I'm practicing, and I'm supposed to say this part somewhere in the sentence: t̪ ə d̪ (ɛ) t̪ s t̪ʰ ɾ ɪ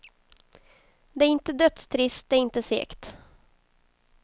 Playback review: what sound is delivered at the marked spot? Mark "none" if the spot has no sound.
œ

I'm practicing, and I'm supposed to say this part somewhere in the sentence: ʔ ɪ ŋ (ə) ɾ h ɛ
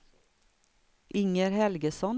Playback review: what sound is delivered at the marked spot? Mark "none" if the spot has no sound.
ə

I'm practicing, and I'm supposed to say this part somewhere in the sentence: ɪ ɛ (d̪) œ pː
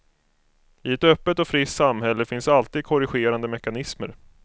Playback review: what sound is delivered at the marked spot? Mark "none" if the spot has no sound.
t̪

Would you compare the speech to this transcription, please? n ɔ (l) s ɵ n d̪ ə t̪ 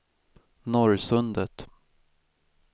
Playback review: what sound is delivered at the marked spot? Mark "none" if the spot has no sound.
ɾ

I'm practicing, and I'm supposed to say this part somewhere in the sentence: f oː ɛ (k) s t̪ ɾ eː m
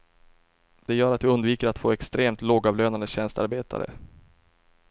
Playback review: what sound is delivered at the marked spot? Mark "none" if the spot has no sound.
k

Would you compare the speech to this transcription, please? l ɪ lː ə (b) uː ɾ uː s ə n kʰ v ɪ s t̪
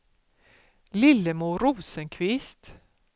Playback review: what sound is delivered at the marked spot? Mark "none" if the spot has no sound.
m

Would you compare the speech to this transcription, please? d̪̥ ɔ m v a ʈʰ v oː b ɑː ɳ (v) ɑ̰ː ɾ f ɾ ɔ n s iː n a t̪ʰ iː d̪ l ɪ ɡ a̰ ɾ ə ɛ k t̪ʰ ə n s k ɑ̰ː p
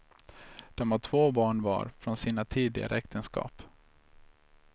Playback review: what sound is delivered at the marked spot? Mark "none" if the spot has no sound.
v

